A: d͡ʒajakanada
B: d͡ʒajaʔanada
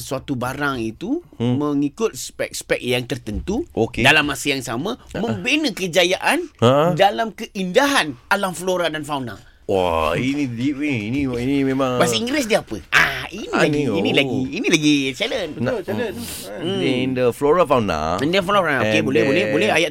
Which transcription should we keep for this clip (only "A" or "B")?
B